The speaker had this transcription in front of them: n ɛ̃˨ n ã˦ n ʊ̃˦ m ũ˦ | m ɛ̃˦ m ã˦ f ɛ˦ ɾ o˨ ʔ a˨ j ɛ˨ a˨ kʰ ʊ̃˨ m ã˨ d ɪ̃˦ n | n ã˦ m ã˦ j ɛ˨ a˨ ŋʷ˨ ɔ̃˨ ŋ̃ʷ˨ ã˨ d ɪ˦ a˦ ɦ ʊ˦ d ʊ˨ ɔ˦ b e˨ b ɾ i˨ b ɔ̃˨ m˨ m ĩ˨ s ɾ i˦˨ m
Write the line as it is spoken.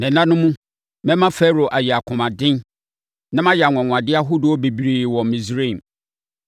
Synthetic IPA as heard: n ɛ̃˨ n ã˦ n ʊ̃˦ m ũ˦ | m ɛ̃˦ m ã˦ f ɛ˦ ɾ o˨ ʔ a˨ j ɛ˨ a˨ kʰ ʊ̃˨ m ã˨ d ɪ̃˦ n | n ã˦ m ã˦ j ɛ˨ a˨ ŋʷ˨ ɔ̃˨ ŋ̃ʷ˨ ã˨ d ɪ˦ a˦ ɦ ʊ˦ d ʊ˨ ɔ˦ b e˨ b ɾ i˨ w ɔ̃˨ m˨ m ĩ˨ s ɾ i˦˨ m